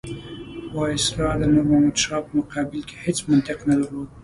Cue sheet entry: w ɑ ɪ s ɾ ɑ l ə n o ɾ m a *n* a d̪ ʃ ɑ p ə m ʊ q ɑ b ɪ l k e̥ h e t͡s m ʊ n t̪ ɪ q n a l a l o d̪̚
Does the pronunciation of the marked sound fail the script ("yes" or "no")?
yes